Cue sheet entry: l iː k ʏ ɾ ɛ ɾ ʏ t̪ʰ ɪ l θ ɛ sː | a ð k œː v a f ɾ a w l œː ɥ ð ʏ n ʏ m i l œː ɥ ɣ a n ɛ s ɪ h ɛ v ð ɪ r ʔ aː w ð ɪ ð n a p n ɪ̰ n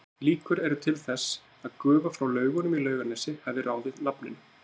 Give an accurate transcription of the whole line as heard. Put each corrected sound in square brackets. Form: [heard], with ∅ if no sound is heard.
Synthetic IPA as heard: l iː k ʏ ɾ ɛ ɾ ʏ t̪ʰ ɪ l θ ɛ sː | a ð k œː v a f ɾ a w l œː ɥ [ɣ] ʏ n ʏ m i l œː ɥ ɣ a n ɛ s ɪ h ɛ v ð ɪ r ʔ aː w ð ɪ ð n a p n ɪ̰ n

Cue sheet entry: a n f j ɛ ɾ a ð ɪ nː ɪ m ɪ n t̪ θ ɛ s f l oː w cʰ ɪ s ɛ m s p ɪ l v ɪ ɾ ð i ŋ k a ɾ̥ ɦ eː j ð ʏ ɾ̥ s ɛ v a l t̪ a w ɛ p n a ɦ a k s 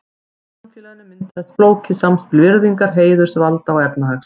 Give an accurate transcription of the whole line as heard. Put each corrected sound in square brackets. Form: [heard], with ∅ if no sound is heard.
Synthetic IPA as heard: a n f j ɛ [l] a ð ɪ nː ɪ m ɪ n t̪ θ ɛ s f l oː w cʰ ɪ s [a] m s p ɪ l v ɪ ɾ ð i ŋ k a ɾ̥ ɦ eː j ð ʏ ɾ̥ s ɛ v a l t̪ a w ɛ p n a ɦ a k s

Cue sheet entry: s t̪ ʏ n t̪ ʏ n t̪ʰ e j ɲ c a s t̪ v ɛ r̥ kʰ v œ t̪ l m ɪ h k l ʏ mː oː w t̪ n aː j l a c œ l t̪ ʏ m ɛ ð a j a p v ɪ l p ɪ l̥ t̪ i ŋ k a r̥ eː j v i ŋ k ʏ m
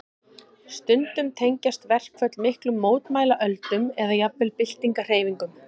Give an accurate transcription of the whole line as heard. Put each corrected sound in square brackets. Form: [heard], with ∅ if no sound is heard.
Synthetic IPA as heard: s t̪ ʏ n t̪ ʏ [m] t̪ʰ e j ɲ c a s t̪ v ɛ r̥ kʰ v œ t̪ l m ɪ h k l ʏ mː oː w t̪ [m] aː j l a [ʔ] œ l t̪ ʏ m ɛ ð a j a p v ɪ l p ɪ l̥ t̪ i ŋ k a r̥ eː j v i ŋ k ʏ m

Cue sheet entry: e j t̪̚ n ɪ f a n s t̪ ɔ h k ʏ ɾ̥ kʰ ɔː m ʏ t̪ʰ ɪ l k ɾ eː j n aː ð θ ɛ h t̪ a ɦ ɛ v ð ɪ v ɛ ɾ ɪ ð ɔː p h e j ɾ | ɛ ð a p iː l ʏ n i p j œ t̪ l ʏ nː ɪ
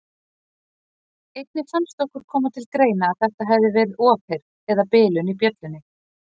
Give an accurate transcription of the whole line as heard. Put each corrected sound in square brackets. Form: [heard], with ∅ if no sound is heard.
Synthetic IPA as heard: e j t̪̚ n ɪ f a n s t̪ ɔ h k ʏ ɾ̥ kʰ ɔː m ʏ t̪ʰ ɪ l k ɾ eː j n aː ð θ ɛ h t̪ a ɦ ɛ v ð ɪ v ɛ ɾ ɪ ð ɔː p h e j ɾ | ɛ ð a p [ɪː] l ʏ n i p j œ t̪ l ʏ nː ɪ

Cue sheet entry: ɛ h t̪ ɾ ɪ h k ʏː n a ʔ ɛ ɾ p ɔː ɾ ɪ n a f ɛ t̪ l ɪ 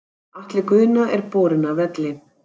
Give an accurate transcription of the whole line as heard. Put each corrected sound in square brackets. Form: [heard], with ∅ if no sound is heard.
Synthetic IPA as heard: [a] h t̪ [l] ɪ [∅] k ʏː n a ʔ ɛ ɾ p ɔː ɾ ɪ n a [v] ɛ t̪ l ɪ

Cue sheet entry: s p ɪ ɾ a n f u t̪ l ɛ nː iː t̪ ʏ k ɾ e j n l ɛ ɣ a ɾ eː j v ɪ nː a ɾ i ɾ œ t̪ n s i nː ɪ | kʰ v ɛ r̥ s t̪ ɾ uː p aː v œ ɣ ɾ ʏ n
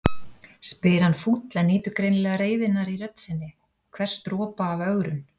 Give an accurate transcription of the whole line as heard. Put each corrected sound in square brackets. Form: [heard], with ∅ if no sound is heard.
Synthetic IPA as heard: s p ɪ ɾ a n f u t̪ l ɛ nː iː t̪ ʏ k ɾ e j n l ɛ ɣ a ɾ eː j v ɪ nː a ɾ i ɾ œ t̪ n s [ɪ] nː ɪ | kʰ v ɛ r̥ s t̪ ɾ [ɔː] p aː v œ ɣ ɾ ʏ n

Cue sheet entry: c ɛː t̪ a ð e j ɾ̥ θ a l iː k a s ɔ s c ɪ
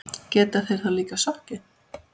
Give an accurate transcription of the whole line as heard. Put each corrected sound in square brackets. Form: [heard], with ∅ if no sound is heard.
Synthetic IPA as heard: c ɛː t̪ a [θ] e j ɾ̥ θ a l iː k a s ɔ [h] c ɪ

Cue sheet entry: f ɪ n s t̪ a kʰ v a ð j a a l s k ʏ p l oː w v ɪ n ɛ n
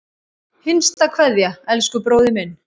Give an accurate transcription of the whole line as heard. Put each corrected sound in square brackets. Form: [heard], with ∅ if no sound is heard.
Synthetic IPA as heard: [h] ɪ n s t̪ a kʰ v [ɛ] ð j a [ɛ] l s k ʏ p [ɾ] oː w [ð] ɪ [m] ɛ n

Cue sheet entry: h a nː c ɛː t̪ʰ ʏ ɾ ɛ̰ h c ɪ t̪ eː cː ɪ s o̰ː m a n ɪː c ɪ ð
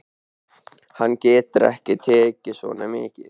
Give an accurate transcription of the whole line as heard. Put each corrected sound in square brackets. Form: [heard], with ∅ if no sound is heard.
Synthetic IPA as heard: h a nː c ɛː [t̪] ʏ ɾ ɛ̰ h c ɪ [t̪ʰ] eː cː ɪ s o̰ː [n] a [m] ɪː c ɪ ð

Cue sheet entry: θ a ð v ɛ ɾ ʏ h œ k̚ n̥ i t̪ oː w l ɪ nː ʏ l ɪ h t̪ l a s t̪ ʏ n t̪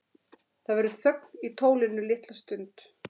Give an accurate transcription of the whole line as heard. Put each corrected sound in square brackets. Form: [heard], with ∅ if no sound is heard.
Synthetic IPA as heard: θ a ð v ɛ ɾ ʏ [θ] œ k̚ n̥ i [t̪ʰ] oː w l ɪ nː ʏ l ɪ h t̪ l a s t̪ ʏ n t̪

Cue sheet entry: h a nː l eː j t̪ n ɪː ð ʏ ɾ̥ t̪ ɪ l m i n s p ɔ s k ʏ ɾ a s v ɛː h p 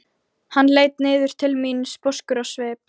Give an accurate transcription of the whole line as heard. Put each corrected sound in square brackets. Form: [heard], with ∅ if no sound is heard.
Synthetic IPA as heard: h a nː l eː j t̪ n ɪː ð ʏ ɾ̥ [t̪ʰ] ɪ l m i n s p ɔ s k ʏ ɾ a s v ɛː [∅] p

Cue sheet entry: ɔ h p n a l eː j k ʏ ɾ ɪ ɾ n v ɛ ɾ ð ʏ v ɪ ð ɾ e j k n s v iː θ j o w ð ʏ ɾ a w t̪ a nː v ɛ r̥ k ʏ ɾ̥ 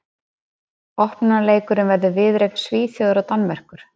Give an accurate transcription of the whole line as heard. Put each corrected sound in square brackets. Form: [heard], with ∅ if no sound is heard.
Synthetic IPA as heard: ɔ h p n a l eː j k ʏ ɾ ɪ [∅] n v ɛ ɾ ð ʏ v ɪ ð ɾ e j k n s v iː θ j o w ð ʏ ɾ a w t̪ a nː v ɛ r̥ k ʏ ɾ̥

